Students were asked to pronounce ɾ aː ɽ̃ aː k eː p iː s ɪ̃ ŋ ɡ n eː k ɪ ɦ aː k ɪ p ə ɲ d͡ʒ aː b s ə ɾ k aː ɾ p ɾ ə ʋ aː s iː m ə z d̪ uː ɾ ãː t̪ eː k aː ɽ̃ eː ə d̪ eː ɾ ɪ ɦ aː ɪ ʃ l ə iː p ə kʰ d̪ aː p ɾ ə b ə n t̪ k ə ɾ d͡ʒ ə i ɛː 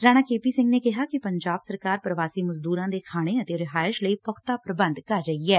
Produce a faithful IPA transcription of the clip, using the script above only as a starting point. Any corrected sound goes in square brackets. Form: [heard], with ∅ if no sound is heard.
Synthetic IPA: ɾ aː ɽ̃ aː k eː p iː s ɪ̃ ŋ ɡ n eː k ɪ ɦ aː k ɪ p ə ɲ d͡ʒ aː b s ə ɾ k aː ɾ p ɾ ə ʋ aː s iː m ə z d̪ uː ɾ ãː [d̪] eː [kʰ] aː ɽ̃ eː ə [t̪] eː ɾ ɪ ɦ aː ɪ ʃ l ə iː p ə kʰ [t̪] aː p ɾ ə b ə n [d̪] k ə ɾ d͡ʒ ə i ɛː